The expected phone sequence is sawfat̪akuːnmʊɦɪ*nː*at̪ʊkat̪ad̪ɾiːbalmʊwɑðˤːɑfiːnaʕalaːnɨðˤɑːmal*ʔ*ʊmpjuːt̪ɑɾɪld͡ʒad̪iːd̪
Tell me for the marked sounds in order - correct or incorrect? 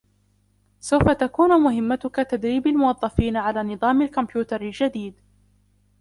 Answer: incorrect, incorrect

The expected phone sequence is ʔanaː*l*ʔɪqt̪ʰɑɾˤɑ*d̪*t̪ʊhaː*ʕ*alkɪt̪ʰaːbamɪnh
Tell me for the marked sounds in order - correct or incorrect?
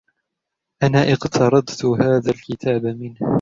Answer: incorrect, correct, incorrect

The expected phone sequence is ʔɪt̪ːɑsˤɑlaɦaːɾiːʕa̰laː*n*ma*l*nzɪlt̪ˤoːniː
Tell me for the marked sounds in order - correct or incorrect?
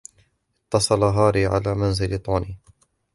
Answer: incorrect, incorrect

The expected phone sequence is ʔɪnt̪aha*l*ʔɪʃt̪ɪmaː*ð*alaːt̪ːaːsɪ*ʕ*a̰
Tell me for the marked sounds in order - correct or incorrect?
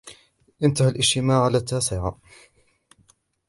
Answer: correct, incorrect, correct

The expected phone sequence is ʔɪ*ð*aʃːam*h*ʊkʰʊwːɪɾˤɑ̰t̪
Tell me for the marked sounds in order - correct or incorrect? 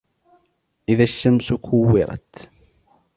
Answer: correct, incorrect

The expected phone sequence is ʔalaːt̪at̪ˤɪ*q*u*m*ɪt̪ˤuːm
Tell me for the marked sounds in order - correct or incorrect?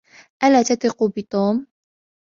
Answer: correct, incorrect

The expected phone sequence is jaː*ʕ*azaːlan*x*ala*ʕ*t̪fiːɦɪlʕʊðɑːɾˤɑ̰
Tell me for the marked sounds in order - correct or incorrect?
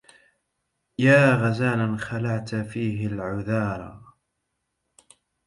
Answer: incorrect, correct, correct

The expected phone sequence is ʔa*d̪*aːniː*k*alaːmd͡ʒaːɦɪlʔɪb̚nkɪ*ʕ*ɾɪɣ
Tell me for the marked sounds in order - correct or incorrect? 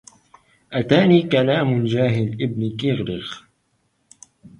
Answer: incorrect, correct, incorrect

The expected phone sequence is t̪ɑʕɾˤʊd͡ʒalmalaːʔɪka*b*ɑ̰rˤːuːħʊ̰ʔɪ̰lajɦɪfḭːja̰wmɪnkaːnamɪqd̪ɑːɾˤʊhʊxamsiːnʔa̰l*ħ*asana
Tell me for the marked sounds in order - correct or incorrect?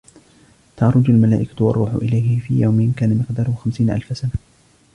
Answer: incorrect, incorrect

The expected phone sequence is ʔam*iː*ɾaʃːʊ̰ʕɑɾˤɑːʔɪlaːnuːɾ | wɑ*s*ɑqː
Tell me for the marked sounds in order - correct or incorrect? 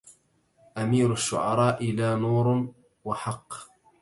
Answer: correct, incorrect

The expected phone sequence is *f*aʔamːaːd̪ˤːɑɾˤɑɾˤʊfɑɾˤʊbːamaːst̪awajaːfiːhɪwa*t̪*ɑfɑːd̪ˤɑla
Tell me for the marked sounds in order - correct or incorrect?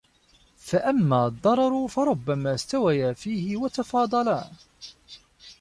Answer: correct, correct

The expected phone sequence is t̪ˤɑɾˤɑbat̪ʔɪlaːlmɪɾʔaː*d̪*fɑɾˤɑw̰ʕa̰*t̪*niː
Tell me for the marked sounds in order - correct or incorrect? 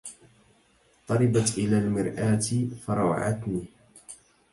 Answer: incorrect, correct

